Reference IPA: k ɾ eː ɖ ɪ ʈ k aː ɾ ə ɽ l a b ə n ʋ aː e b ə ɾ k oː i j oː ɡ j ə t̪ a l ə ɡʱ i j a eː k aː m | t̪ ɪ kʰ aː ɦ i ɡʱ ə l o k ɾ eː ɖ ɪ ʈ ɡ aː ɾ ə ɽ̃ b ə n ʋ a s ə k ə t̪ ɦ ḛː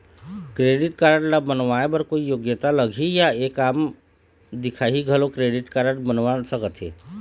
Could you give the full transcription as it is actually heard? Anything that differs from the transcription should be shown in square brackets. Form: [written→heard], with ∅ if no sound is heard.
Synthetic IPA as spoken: k ɾ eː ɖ ɪ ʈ k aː ɾ ə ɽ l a b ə n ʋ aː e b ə ɾ k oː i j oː ɡ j ə t̪ a l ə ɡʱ i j a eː k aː m | [t̪→d̪] ɪ kʰ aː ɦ i ɡʱ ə l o k ɾ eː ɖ ɪ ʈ [ɡ→k] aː ɾ ə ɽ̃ b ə n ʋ a s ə k ə t̪ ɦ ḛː